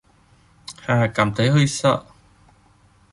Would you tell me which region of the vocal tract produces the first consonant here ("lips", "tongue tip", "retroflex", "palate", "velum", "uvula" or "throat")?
throat